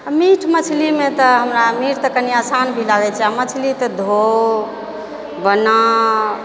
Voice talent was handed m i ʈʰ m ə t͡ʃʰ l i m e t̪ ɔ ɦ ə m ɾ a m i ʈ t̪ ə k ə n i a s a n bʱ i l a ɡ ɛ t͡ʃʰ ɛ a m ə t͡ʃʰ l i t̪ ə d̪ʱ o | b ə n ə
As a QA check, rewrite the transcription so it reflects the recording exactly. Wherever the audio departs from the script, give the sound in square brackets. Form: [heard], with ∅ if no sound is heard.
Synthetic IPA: m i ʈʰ m ə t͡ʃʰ l i m e t̪ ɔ ɦ ə m ɾ a m i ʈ t̪ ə k ə n i a s a n bʱ i l a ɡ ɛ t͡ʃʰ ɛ a m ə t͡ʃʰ l i t̪ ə d̪ʱ o | b ə n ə